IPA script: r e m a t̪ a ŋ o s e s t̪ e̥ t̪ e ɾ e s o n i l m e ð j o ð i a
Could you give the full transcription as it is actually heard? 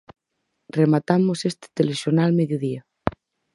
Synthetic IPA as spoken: r e m a t̪ a m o s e s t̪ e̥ t̪ e l e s o n a l m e ð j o ð i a